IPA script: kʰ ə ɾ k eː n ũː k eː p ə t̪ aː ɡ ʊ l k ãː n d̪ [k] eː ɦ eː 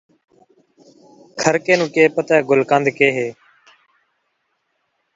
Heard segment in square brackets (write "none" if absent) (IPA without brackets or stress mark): k